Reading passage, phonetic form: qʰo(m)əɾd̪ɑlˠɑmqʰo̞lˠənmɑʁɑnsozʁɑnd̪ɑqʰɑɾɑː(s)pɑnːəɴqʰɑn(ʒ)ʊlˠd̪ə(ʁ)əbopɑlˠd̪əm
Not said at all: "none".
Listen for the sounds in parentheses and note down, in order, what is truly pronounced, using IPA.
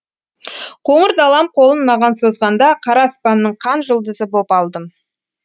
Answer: ɴ, s, ʒ, z

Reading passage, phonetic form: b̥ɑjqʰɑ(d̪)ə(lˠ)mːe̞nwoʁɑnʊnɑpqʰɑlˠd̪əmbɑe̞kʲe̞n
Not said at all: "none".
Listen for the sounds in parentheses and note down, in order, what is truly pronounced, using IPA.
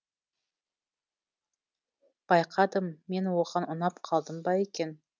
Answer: d̪, none

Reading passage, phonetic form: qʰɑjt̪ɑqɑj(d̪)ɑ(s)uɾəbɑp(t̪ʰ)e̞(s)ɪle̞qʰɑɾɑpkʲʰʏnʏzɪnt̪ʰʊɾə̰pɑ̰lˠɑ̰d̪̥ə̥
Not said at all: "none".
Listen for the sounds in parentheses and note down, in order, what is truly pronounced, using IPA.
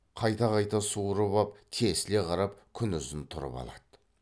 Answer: t̪, s, t̪ʰ, s

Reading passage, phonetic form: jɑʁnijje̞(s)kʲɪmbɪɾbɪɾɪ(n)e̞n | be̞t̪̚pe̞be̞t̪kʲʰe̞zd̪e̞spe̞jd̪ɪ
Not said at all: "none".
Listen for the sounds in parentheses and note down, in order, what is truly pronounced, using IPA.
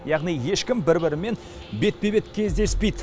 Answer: ʃ, m

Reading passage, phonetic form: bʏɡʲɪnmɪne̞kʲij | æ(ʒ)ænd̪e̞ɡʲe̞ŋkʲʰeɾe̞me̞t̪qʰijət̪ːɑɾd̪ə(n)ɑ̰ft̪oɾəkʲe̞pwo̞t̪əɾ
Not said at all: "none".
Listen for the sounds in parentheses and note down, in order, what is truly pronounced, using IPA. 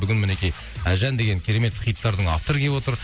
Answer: ʒ, ɴ

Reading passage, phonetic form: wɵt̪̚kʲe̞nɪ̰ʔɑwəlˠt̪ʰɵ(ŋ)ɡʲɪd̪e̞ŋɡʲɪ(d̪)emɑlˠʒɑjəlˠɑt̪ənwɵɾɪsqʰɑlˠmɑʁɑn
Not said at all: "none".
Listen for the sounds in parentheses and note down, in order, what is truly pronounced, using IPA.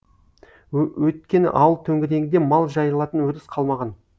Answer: ŋ, d̪

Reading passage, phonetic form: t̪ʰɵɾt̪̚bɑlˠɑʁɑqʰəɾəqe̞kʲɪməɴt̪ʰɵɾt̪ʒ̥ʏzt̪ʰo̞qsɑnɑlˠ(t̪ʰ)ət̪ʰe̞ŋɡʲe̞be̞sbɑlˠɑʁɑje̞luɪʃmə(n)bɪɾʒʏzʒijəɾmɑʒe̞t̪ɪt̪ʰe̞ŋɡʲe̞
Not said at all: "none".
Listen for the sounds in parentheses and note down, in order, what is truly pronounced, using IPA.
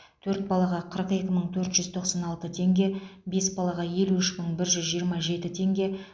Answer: t̪, ɴ

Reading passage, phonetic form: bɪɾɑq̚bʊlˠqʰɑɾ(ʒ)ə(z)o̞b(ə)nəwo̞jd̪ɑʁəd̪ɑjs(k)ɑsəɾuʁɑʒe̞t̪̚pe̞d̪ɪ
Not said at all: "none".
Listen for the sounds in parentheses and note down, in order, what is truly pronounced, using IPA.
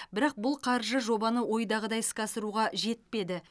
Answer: ʒ, ʒ, ɑ, k

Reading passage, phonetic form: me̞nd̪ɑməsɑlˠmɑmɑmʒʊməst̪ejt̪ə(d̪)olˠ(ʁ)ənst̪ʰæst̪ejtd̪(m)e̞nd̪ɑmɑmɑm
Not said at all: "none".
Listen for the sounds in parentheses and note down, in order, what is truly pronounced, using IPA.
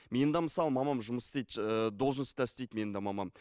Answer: d̪, ʒ, m

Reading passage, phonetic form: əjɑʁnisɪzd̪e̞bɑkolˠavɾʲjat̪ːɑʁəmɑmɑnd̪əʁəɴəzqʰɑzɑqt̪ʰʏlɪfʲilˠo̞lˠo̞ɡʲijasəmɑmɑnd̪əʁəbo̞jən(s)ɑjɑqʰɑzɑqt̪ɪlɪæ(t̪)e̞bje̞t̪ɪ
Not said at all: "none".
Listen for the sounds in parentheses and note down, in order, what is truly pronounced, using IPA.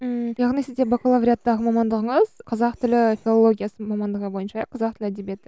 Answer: ʃ, d̪

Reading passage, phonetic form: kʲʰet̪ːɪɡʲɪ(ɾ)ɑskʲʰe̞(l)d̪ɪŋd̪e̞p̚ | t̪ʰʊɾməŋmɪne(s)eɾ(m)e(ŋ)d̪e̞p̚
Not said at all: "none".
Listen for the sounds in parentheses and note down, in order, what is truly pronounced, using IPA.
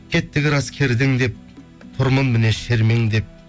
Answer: ɾ, ɾ, ʃ, m, ŋ

